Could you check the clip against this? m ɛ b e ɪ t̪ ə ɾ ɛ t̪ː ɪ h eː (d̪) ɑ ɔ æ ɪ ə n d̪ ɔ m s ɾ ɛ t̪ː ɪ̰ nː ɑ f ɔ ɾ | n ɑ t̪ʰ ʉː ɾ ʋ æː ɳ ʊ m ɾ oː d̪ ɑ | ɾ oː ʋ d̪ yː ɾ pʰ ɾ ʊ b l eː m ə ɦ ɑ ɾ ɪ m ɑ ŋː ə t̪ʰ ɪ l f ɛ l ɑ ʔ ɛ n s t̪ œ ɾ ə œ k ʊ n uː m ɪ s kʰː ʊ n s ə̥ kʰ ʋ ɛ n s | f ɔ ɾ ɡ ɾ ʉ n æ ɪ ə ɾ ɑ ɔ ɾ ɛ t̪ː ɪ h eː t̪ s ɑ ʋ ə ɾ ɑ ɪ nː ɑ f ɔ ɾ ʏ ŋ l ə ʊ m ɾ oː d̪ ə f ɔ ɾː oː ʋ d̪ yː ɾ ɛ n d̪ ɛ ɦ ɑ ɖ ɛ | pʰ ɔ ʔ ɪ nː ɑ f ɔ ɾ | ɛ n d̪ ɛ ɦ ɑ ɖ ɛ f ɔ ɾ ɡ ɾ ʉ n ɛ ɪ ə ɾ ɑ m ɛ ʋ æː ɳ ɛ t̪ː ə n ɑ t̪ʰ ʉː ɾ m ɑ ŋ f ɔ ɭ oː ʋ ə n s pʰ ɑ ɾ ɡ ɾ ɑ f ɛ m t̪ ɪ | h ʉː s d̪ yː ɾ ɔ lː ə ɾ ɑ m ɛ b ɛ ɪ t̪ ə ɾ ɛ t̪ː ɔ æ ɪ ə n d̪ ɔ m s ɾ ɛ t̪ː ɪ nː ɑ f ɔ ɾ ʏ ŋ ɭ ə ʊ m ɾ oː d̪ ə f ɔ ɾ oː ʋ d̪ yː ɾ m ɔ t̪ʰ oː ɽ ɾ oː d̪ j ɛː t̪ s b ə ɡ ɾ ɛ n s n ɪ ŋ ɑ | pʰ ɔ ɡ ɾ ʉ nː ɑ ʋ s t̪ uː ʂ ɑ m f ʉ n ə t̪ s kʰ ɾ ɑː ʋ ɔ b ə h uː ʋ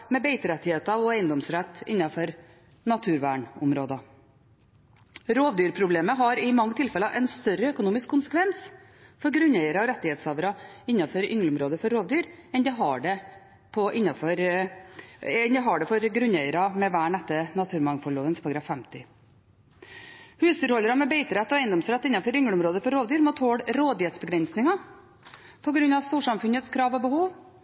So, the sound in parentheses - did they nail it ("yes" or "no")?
no